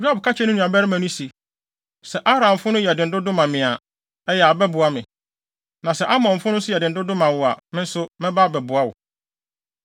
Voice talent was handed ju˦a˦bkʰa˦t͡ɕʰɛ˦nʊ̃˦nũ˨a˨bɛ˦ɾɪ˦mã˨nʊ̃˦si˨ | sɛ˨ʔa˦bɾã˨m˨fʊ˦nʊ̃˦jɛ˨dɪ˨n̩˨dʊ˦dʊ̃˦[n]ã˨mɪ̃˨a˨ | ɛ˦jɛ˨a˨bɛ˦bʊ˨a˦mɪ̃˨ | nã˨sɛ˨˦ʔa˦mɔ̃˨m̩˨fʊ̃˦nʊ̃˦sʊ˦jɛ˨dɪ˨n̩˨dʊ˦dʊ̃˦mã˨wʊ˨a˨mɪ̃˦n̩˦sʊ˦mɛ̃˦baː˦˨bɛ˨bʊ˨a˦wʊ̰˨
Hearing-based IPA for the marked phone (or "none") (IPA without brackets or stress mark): m